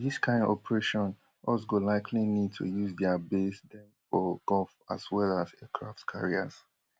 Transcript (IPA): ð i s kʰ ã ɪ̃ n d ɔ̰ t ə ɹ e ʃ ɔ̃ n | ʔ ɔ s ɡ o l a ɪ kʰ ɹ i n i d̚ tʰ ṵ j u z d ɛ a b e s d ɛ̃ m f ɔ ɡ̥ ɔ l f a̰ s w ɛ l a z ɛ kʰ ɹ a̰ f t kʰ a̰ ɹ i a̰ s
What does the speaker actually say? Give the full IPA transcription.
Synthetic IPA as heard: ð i s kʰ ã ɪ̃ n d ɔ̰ p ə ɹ e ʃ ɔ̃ n | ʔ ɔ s ɡ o l a ɪ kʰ l i n i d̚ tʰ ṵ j u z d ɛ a b e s d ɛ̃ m f ɔ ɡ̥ ɔ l f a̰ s w ɛ l a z ɛ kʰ ɹ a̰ f t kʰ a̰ ɹ i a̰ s